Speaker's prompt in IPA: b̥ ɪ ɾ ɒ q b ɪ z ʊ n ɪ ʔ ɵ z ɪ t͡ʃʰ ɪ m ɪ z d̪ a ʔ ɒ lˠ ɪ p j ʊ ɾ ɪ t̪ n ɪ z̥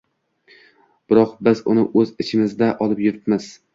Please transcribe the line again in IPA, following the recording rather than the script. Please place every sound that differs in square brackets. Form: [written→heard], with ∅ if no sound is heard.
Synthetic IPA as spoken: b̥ ɪ ɾ ɒ q b ɪ z ʊ n ɪ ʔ ɵ z ɪ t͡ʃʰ ɪ m ɪ z d̪ a ʔ ɒ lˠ ɪ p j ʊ ɾ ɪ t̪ [n→m] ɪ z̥